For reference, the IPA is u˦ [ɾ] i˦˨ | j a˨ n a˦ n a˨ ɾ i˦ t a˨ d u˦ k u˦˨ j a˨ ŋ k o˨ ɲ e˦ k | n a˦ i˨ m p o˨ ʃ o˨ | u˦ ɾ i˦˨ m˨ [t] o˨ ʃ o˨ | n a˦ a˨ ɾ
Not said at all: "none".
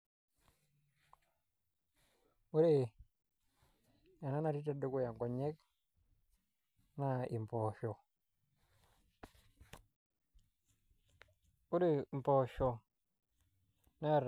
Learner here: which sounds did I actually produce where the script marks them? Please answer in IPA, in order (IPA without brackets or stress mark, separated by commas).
ɾ, p